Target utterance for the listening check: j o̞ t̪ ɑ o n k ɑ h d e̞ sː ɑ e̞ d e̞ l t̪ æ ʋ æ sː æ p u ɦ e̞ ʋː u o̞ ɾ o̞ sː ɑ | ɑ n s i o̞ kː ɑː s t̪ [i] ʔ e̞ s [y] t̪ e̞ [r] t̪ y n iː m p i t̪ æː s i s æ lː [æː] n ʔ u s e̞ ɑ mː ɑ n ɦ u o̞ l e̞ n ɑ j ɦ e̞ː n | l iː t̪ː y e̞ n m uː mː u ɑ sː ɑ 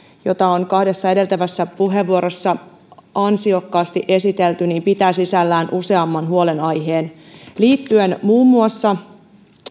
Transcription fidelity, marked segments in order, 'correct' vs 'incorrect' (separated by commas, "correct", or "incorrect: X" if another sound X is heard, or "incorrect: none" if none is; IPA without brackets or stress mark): correct, incorrect: i, incorrect: l, correct